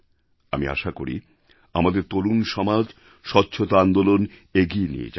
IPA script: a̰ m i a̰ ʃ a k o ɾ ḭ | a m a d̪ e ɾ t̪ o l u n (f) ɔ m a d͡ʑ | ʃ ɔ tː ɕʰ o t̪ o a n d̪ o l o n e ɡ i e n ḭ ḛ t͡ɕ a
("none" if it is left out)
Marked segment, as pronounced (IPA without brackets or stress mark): ʃ